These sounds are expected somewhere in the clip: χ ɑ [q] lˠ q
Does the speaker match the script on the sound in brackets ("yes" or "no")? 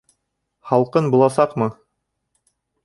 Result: no